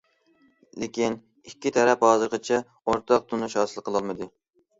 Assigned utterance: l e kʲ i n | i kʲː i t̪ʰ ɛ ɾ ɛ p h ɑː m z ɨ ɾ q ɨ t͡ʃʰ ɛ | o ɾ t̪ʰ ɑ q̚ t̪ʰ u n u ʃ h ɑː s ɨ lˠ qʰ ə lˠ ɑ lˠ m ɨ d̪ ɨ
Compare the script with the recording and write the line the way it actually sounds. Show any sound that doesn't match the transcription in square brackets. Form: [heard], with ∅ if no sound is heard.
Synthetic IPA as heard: l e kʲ i n | i kʲː i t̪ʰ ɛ ɾ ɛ p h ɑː [∅] z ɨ ɾ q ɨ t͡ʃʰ ɛ | o ɾ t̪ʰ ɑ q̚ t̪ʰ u n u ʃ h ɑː s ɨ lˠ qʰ ə lˠ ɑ lˠ m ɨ d̪ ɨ